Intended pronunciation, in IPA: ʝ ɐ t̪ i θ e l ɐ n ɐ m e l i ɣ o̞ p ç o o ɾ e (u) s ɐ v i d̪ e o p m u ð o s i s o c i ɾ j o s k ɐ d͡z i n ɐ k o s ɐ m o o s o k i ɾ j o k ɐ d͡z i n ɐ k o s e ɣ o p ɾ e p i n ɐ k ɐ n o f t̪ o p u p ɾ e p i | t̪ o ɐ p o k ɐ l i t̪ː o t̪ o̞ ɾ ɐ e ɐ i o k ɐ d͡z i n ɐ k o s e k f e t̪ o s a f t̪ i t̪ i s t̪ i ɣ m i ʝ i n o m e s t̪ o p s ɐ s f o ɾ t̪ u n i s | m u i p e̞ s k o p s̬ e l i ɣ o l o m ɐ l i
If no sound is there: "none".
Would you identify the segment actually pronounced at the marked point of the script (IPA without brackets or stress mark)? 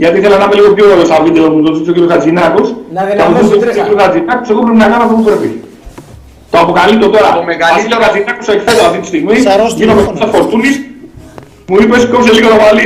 o